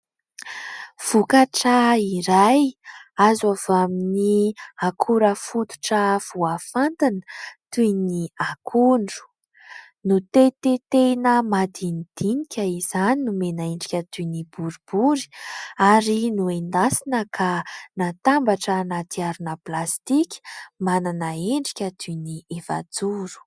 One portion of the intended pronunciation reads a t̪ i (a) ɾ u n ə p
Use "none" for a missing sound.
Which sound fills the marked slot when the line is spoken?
a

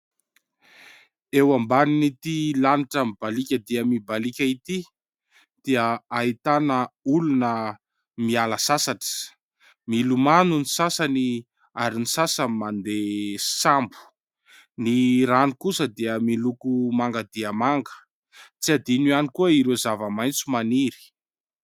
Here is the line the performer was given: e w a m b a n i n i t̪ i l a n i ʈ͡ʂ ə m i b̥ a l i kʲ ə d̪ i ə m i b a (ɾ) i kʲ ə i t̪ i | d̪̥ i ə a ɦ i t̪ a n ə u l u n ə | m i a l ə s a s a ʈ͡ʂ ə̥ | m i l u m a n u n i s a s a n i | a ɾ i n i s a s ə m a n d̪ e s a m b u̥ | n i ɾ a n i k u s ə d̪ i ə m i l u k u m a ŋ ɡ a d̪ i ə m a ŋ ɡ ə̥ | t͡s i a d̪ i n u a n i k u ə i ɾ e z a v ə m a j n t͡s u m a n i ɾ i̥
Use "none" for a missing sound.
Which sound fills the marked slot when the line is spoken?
l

